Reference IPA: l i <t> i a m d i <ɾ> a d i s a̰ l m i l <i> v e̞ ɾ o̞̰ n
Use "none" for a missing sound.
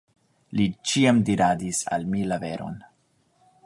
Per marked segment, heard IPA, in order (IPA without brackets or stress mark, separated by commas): t͡ʃ, ɾ, a